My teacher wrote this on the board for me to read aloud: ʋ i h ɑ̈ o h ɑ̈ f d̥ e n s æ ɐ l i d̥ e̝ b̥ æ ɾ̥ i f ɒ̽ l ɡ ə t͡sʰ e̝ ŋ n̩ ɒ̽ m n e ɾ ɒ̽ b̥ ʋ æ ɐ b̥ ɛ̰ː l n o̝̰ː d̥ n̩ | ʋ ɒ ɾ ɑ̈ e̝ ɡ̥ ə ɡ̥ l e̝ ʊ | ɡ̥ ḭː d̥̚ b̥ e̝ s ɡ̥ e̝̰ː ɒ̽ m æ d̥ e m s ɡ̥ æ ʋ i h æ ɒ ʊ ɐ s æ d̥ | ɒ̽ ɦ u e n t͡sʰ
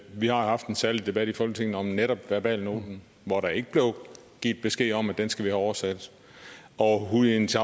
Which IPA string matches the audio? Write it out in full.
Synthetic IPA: ʋ i h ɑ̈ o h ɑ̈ f d̥ e n s æ ɐ l i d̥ e̝ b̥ æ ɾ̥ i f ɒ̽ l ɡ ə t͡sʰ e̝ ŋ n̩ ɒ̽ m n e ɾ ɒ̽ b̥ ʋ æ ɐ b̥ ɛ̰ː l n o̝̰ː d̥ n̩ | ʋ ɒ ɾ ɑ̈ e̝ ɡ̥ ə b̥ l e̝ ʊ | ɡ̥ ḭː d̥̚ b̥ e̝ s ɡ̥ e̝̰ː ɒ̽ m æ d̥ e n s ɡ̥ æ ʋ i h æ ɒ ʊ ɐ s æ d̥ | ɒ̽ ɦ u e n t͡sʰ